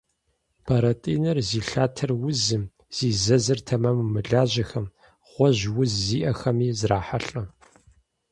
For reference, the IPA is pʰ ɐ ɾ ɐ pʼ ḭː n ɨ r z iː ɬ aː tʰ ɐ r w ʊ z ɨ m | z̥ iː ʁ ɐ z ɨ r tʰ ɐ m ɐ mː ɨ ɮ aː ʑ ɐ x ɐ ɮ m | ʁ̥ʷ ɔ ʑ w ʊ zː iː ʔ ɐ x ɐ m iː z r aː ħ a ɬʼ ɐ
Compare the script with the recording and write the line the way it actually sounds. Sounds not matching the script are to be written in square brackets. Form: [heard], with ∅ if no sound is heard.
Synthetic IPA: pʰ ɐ ɾ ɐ [tʼ] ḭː n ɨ r z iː ɬ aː tʰ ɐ r w ʊ z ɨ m | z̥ iː [z] ɐ z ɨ r tʰ ɐ m ɐ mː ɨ ɮ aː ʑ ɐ x ɐ [∅] m | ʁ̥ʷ ɔ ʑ w ʊ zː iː ʔ ɐ x ɐ m iː z r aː ħ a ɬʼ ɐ